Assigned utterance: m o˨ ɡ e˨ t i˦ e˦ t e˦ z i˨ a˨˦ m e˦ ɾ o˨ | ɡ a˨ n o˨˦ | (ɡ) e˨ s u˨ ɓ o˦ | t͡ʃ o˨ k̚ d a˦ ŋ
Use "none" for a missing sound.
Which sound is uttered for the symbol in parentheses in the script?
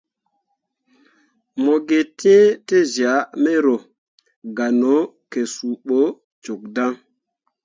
k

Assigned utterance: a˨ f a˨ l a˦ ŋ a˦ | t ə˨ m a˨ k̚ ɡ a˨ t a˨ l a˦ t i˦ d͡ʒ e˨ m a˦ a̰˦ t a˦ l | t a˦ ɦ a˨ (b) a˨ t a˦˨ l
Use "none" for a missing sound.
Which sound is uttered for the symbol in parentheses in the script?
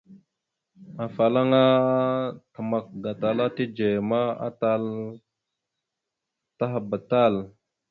b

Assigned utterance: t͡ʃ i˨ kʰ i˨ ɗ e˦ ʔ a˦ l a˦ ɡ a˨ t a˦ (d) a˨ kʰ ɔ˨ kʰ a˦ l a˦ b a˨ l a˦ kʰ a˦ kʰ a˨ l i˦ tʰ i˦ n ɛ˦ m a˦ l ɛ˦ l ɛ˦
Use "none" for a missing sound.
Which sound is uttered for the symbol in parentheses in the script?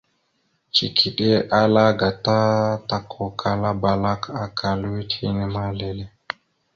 t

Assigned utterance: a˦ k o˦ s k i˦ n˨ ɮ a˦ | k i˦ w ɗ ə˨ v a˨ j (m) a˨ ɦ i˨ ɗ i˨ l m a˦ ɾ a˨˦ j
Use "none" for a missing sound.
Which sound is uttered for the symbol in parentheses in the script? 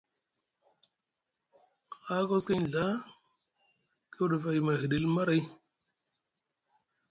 m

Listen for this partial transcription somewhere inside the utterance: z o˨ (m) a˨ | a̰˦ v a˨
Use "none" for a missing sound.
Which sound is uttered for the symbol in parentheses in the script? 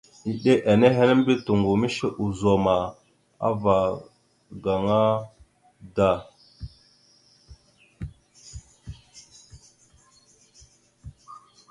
m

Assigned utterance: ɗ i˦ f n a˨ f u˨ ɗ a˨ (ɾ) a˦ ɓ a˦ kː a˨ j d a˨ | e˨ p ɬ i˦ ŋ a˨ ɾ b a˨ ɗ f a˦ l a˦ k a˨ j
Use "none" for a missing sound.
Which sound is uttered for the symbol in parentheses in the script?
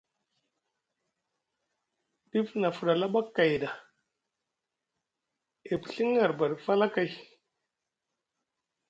l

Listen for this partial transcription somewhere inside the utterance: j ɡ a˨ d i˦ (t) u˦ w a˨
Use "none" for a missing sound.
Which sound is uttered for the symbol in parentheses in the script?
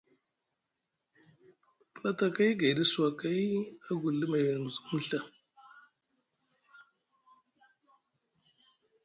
s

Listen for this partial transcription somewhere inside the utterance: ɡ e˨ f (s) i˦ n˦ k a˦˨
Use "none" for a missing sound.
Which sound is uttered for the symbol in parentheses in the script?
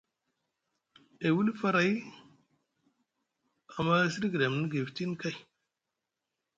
t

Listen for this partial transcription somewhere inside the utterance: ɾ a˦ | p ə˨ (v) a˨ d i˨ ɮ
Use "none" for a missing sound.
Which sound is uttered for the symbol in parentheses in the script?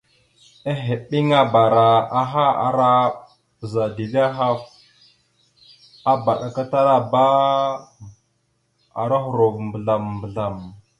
z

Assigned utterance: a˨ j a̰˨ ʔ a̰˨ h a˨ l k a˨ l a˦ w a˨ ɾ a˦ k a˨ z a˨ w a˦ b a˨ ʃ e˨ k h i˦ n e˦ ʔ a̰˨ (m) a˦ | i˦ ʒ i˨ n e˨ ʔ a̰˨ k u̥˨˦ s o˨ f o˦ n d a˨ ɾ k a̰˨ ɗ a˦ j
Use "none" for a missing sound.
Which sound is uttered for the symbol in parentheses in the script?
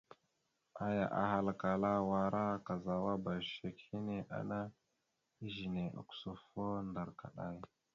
n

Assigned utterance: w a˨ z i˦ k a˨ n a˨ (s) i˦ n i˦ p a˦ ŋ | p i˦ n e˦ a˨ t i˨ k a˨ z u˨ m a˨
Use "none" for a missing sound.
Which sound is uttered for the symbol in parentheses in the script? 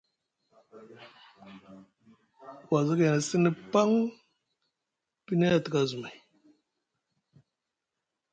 s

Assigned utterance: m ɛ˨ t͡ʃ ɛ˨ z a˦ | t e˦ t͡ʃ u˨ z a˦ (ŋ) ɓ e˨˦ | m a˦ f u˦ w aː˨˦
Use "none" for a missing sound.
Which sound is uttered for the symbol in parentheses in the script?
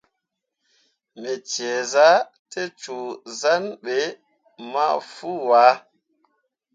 n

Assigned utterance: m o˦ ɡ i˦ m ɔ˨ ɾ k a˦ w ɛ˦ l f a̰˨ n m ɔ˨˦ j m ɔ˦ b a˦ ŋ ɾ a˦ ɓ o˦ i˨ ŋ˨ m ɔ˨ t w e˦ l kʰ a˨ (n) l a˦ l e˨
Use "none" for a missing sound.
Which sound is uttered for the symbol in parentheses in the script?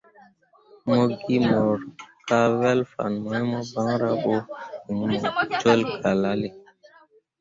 none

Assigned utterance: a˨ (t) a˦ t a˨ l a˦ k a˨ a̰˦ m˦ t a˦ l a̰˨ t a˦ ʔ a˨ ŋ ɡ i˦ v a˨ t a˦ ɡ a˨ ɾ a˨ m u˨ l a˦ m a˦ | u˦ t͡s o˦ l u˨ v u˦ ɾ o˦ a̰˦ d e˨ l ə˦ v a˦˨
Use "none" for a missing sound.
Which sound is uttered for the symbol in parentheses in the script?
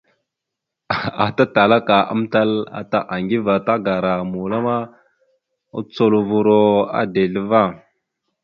t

